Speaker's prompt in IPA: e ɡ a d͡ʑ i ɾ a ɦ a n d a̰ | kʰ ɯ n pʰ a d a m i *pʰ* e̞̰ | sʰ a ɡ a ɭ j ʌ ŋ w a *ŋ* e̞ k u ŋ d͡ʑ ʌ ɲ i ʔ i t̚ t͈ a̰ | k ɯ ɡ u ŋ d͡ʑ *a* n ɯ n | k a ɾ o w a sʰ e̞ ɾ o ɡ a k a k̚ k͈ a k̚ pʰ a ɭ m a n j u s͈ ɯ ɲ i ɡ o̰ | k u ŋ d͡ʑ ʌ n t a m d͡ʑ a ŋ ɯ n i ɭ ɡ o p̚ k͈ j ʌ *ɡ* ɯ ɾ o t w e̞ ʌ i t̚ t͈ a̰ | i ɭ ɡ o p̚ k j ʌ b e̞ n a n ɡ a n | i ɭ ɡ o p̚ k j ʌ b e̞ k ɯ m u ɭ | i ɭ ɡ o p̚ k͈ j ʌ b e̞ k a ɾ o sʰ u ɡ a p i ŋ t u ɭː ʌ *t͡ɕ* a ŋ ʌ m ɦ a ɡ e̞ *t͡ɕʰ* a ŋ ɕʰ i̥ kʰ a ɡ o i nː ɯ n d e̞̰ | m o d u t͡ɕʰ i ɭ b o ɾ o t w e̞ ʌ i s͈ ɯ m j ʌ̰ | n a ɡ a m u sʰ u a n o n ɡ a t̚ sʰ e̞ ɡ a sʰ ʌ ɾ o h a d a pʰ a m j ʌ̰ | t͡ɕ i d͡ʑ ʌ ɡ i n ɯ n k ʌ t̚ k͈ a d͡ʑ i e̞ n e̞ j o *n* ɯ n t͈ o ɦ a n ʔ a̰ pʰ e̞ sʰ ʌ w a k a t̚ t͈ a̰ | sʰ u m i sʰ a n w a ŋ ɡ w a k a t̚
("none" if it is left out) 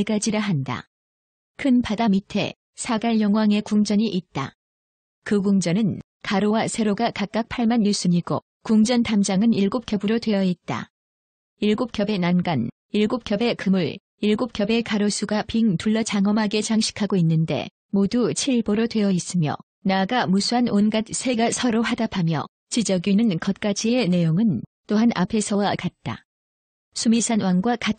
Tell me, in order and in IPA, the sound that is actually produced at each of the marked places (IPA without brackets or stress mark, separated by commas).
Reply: tʰ, ŋ, ʌ, b, t͡ɕ, t͡ɕ, ŋ